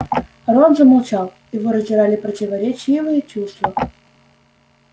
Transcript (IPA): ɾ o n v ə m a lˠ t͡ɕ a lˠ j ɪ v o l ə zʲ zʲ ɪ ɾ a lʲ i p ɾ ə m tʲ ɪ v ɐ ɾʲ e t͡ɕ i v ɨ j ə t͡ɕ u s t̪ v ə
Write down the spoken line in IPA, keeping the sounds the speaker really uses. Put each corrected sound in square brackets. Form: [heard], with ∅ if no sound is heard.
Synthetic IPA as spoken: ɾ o n [z] ə m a lˠ t͡ɕ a lˠ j ɪ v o [ɾ] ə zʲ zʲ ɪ ɾ a lʲ [ɪ] p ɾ ə [∅] tʲ ɪ v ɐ ɾʲ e t͡ɕ i v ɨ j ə t͡ɕ u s t̪ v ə